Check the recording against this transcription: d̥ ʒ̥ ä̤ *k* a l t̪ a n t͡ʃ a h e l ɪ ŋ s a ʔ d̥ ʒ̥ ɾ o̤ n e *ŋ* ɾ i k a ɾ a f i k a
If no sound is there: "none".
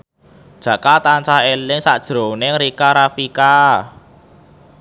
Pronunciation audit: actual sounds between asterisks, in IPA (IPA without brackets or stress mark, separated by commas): k, ŋ